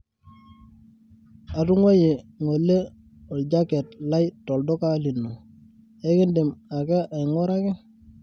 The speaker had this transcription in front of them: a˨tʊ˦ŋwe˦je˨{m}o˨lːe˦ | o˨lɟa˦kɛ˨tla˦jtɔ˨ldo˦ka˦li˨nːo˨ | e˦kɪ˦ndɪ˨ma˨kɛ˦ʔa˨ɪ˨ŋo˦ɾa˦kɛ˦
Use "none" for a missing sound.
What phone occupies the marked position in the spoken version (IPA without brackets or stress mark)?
ŋ